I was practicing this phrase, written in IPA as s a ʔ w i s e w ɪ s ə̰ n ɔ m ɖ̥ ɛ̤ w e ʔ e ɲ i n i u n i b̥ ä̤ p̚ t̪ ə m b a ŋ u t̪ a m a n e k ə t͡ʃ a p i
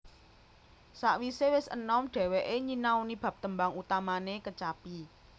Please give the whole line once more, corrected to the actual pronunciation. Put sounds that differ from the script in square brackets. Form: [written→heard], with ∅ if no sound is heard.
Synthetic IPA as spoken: s a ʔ w i s e w ɪ s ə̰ n ɔ m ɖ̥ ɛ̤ w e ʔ e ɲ i n [i→a] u n i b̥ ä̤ p̚ t̪ ə m b a ŋ u t̪ a m a n e k ə t͡ʃ a p i